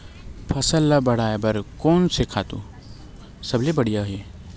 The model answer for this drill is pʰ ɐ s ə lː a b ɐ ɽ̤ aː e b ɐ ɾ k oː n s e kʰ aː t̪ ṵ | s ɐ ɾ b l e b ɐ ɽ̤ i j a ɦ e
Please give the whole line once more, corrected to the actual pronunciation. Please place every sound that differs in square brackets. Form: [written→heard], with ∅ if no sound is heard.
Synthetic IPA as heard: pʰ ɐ s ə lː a b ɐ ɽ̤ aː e b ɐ ɾ k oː n s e kʰ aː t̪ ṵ | s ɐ [ɾ→∅] b l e b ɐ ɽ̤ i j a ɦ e